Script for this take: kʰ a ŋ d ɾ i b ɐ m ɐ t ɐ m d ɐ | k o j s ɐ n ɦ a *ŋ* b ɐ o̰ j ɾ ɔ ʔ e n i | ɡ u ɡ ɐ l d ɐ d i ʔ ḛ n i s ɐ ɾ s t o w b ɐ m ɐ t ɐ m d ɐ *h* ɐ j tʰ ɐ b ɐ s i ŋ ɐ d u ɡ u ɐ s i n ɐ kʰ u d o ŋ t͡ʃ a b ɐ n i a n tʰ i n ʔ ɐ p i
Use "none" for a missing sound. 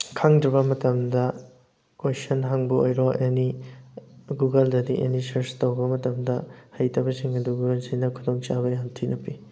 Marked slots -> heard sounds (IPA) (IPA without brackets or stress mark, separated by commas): ŋ, h